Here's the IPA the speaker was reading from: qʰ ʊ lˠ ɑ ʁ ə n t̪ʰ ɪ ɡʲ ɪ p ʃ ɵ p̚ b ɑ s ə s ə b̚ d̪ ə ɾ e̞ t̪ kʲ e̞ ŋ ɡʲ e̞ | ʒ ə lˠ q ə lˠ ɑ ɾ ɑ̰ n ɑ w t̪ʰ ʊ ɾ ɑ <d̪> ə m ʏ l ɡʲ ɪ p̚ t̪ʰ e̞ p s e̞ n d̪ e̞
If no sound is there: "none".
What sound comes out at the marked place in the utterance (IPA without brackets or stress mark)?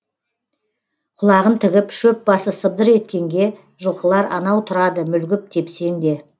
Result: d̪